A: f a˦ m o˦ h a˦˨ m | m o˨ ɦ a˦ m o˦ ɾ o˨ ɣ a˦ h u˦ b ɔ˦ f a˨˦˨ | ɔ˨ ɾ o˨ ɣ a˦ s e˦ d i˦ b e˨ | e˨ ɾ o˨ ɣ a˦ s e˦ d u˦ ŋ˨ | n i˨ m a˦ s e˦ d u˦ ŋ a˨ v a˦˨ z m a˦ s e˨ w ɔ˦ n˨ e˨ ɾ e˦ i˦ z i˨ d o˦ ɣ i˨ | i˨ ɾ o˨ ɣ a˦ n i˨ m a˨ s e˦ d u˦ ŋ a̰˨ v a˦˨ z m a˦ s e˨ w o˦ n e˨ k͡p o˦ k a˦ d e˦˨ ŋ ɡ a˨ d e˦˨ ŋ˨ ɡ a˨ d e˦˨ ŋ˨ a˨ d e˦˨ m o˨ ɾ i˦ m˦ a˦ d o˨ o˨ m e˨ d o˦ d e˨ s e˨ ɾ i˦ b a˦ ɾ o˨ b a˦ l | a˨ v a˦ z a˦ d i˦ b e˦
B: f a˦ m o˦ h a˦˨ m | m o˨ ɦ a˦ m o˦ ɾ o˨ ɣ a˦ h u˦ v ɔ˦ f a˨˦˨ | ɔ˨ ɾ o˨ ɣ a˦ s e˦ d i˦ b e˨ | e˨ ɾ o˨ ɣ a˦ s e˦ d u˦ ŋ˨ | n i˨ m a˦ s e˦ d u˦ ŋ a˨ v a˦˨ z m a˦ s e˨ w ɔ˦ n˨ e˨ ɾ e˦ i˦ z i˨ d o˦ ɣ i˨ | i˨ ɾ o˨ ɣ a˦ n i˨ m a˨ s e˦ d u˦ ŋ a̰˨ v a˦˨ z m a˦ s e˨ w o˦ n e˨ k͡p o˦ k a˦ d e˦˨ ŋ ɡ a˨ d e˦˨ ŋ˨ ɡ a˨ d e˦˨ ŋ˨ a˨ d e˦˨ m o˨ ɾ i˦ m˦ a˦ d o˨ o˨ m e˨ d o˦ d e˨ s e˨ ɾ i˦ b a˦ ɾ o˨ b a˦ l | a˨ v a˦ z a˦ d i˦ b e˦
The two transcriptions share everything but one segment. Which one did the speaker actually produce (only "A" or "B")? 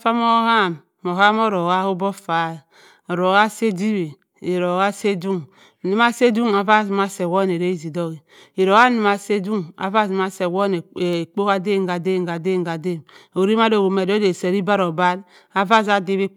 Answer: A